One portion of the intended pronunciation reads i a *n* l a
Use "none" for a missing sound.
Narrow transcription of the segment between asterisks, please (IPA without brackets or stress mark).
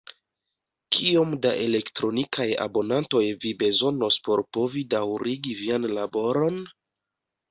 n